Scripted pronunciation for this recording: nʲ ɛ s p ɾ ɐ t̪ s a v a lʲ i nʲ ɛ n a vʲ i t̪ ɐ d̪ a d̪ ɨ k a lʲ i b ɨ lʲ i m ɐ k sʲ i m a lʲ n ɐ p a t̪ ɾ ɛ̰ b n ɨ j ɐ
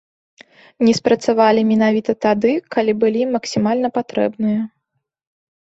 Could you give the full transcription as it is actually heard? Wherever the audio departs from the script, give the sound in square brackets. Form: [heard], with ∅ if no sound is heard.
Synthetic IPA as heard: nʲ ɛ s p ɾ ɐ t̪ s a v a lʲ i [mʲ] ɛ n a vʲ i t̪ ɐ [t̪] a d̪ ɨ k a lʲ i b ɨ lʲ i m ɐ k sʲ i m a lʲ n ɐ p a t̪ ɾ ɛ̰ b n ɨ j ɐ